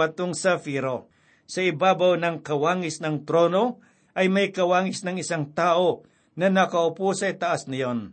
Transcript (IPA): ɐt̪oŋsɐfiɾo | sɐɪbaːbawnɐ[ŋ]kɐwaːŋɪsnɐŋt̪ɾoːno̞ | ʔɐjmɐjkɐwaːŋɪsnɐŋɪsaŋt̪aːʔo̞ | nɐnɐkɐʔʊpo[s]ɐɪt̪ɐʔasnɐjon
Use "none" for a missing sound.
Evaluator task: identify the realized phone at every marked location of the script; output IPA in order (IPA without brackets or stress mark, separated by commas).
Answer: ŋ, s